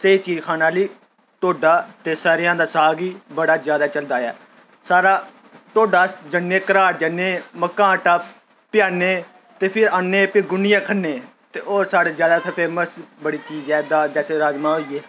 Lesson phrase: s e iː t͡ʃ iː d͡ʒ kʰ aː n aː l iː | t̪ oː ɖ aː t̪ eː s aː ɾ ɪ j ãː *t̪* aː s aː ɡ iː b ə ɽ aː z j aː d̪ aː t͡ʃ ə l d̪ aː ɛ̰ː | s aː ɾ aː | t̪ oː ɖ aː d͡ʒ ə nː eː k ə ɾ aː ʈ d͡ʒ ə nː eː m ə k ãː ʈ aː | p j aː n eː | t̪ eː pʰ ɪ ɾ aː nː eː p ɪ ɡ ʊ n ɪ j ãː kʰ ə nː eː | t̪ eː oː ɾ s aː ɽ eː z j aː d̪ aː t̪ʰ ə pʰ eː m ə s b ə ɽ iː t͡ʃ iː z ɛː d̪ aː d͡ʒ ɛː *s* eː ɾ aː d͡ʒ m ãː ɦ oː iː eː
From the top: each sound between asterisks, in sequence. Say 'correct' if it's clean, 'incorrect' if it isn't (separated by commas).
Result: incorrect, correct